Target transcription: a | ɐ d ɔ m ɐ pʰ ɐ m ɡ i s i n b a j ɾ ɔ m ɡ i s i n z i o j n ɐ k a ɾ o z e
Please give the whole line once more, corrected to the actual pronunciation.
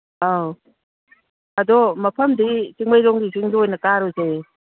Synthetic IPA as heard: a | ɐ d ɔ m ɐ pʰ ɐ m d i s i ŋ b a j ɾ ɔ ŋ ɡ i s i ŋ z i o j n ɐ k a ɾ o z e